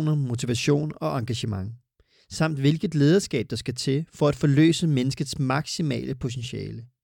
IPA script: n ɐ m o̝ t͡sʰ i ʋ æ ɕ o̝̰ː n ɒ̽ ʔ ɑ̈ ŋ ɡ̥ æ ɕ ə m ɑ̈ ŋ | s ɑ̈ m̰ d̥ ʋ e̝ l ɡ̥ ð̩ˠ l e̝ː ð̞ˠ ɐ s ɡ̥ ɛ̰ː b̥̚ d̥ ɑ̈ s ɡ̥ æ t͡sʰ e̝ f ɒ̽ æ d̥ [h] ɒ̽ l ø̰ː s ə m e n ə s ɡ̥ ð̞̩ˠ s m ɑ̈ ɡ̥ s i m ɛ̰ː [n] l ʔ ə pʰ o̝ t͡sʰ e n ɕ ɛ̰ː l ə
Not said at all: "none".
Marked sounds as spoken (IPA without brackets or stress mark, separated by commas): f, none